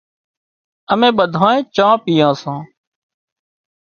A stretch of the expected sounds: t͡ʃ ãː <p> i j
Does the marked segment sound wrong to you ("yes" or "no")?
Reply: no